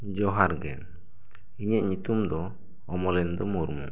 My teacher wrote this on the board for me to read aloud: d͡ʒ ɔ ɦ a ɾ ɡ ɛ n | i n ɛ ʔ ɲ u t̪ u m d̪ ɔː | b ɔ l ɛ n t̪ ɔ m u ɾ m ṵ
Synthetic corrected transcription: d͡ʒ ɔ ɦ a ɾ ɡ ɛ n | i ɲ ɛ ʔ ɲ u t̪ u m d̪ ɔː | m ɔ l ɛ n d̪ ɔ m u ɾ m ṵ